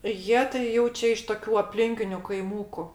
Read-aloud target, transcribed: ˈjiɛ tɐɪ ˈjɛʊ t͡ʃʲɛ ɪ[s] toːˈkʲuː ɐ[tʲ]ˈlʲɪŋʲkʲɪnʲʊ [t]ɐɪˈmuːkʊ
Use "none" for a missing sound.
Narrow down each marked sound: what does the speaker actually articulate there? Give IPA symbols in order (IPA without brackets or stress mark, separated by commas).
ʃ, pʲ, k